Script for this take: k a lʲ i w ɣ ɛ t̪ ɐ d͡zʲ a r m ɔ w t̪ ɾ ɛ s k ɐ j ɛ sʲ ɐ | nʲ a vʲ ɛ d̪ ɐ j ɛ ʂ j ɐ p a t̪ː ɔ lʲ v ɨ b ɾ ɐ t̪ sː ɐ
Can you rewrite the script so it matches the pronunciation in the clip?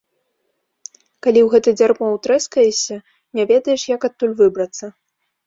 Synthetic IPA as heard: k a lʲ i w ɣ ɛ t̪ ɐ d͡zʲ a r m ɔ w t̪ ɾ ɛ s k ɐ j ɛ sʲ ɐ | nʲ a vʲ ɛ d̪ ɐ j ɛ ʂ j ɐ k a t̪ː u lʲ v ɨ b ɾ ɐ t̪ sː ɐ